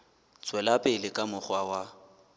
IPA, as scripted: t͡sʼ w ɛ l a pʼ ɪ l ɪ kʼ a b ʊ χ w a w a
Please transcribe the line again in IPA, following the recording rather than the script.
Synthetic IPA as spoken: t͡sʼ w ɛ l a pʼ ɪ l ɪ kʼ a m ʊ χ w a w a